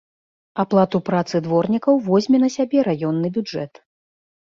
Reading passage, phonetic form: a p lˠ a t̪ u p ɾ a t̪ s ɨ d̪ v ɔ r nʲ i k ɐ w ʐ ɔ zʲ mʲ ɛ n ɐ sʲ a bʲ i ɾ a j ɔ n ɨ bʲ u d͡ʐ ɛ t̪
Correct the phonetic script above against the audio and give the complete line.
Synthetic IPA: a p lˠ a t̪ u p ɾ a t̪ s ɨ d̪ v ɔ r nʲ i k ɐ w v ɔ zʲ mʲ ɛ n ɐ sʲ a bʲ ɛ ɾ a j ɔ nː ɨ bʲ u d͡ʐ ɛ t̪

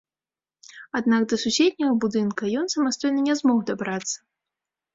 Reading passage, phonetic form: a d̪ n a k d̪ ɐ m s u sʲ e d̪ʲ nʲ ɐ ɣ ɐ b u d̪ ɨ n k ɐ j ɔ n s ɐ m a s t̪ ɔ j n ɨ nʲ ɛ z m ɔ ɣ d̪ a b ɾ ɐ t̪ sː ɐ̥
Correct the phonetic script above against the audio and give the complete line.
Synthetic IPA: a d̪ n a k d̪ ɐ s u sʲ e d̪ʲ nʲ ɐ ɣ ɐ b u d̪ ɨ n k ɐ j ɔ n s ɐ m a s t̪ ɔ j n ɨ nʲ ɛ z m ɔ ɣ d̪ a b ɾ a t̪ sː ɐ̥

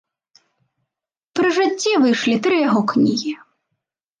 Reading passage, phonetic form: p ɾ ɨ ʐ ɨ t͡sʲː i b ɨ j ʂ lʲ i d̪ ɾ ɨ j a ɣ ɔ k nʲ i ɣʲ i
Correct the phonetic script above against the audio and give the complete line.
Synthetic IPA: p ɾ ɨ ʐ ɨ t͡sʲː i v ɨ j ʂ lʲ i t̪ ɾ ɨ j a ɣ ɔ k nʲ i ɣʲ i

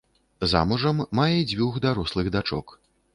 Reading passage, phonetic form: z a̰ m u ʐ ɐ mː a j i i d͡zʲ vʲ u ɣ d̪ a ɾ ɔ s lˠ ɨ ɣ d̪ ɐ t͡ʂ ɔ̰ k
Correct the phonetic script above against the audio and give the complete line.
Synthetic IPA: z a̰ m u ʐ ɐ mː a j ɛ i d͡zʲ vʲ u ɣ d̪ a ɾ ɔ s lˠ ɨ ɣ d̪ a t͡ʂ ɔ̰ k

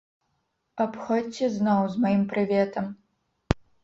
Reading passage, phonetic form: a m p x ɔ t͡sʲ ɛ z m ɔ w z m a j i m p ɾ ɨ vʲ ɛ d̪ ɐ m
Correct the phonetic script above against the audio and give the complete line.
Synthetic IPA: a p x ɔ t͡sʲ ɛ z n ɔ w z m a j i m p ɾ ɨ vʲ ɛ t̪ ɐ m

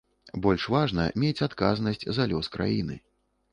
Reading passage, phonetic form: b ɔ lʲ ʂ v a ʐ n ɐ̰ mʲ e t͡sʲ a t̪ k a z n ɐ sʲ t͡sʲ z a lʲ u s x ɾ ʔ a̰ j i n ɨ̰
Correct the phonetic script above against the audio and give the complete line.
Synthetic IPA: b ɔ lʲ ʂ v a ʐ n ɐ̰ mʲ e t͡sʲ a t̪ k a z n ɐ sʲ t͡sʲ z a lʲ ɔ s k ɾ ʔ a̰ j i n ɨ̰

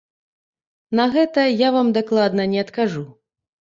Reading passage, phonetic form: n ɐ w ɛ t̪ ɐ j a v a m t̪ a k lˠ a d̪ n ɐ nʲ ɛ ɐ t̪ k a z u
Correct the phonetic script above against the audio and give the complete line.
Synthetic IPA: n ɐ ɣ ɛ t̪ ɐ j a v a m d̪ a k lˠ a d̪ n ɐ nʲ ɛ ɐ t̪ k a ʐ u

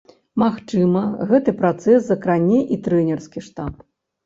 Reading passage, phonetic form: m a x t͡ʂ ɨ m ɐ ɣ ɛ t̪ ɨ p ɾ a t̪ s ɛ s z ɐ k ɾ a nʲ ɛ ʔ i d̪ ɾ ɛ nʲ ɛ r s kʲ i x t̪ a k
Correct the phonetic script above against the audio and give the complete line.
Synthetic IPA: m a x t͡ʂ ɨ m ɐ ɣ ɛ t̪ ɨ p ɾ a t̪ s ɛ s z ɐ k ɾ a nʲ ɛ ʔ i t̪ ɾ ɛ nʲ ɛ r s kʲ i ʂ t̪ a p

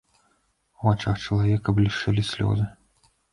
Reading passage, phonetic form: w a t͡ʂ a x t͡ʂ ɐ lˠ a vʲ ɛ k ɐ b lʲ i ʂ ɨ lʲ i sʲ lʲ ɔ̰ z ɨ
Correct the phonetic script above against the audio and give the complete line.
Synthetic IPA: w a t͡ʂ a x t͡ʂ ɐ lˠ a vʲ ɛ k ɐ b lʲ i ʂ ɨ lʲ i sʲ lʲ ɔ̰ z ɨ

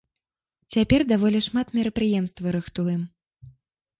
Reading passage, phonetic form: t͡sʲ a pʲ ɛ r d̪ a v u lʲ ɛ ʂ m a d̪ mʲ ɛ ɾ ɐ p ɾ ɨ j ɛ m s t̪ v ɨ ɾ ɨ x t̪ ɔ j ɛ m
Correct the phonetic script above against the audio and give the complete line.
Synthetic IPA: t͡sʲ a pʲ ɛ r d̪ a v ɔ lʲ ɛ ʂ m a t̪ mʲ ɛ ɾ ɐ p ɾ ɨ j ɛ m s t̪ v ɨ ɾ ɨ x t̪ u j ɛ m

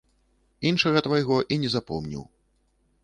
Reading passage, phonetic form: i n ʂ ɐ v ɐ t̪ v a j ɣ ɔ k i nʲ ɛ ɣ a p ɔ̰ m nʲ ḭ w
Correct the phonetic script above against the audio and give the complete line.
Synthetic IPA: i n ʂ ɐ ɣ ɐ t̪ v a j ɣ ɔ ʔ i nʲ ɛ z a p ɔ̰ m nʲ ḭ w

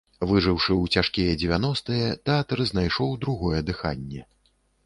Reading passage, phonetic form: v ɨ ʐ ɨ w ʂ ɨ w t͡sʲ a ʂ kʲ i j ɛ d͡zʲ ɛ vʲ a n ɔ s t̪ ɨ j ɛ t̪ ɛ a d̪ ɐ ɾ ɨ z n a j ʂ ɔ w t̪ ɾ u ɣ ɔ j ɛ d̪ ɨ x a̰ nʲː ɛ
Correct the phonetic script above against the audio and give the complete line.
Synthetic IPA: v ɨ ʐ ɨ w ʂ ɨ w t͡sʲ a ʂ kʲ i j ɛ d͡zʲ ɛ vʲ a n ɔ s t̪ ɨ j ɛ t̪ ɛ a t̪ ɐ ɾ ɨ z n a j ʂ ɔ w d̪ ɾ u ɣ ɔ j ɛ d̪ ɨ x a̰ nʲː ɛ

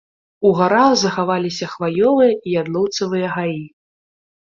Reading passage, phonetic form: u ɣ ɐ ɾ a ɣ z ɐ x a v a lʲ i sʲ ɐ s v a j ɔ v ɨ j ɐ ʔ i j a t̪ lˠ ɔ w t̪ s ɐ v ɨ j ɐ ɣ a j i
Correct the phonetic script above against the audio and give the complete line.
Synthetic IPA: u ɣ a ɾ a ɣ z ɐ x a v a lʲ i sʲ ɐ x v a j ɔ v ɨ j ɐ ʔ i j a d̪ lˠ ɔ w t̪ s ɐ v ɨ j ɐ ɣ a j i

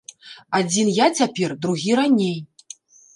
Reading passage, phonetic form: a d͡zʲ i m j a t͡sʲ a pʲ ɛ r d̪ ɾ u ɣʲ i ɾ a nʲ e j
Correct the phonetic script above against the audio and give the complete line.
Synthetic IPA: a d͡zʲ i n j a t͡sʲ a pʲ ɛ r d̪ ɾ u ɣʲ i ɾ a nʲ e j

